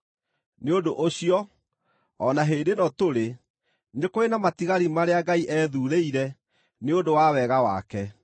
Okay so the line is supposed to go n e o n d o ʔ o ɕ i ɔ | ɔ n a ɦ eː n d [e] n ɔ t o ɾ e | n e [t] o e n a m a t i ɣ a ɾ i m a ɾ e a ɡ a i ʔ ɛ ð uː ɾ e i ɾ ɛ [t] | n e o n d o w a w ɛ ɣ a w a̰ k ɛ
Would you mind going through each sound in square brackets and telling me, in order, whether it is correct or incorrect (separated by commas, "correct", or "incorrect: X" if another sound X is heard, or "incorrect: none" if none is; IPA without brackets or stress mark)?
correct, incorrect: k, incorrect: none